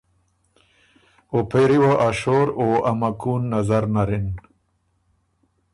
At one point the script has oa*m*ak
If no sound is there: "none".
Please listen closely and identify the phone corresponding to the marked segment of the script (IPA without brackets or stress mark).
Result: m